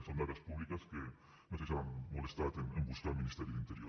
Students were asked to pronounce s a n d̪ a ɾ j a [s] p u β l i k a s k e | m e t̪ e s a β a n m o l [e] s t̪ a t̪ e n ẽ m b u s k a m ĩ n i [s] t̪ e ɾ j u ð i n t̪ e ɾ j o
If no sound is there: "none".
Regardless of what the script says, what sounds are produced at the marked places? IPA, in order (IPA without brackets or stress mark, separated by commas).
s, e, s